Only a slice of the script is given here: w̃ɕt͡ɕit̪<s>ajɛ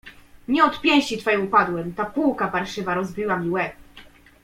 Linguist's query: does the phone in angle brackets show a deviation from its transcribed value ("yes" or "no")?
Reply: yes